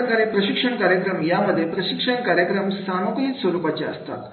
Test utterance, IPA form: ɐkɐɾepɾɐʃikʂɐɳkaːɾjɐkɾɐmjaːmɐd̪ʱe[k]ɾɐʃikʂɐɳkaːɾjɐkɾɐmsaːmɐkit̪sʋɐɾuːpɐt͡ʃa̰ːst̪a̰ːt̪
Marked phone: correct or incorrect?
incorrect